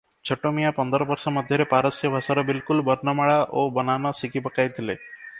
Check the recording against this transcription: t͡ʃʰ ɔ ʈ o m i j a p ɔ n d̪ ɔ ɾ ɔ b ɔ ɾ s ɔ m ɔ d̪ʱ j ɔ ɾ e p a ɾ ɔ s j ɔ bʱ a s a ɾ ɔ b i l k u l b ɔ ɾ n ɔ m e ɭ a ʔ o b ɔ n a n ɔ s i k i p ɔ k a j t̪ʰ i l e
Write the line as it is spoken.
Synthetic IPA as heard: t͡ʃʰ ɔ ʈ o m i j a p ɔ n d̪ ɔ ɾ ɔ b ɔ ɾ s ɔ m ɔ d̪ʱ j ɔ ɾ e p a ɾ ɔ s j ɔ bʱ a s a ɾ ɔ b i l k u l b ɔ ɾ n ɔ m a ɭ a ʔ o b ɔ n a n ɔ s i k i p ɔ k a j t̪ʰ i l e